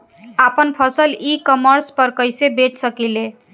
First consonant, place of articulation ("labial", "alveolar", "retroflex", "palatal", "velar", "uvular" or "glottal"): labial